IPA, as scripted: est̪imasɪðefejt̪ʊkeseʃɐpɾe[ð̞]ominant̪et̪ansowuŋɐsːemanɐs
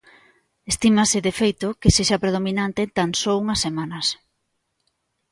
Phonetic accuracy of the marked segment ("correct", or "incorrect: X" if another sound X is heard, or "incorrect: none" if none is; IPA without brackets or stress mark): correct